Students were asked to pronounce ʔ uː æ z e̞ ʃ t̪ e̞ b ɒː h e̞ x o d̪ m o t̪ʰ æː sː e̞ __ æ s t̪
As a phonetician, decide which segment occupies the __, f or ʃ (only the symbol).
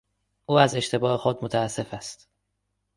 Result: f